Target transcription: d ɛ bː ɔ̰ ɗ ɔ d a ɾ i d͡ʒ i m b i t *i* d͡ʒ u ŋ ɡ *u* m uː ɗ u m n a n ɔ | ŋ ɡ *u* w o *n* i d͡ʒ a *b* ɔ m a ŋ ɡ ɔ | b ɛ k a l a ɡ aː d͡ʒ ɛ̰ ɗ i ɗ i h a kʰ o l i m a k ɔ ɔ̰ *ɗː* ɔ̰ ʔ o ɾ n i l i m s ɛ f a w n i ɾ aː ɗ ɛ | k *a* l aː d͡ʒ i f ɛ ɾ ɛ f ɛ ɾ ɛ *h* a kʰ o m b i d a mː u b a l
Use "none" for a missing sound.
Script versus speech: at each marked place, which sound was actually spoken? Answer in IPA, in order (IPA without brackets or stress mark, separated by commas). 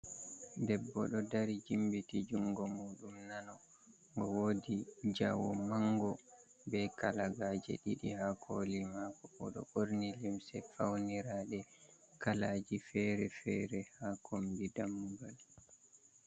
i, ɔ, ɔ, d, w, ɗ, a, h